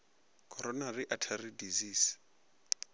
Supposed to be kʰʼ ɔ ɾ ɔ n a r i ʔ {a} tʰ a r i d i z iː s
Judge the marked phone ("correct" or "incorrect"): correct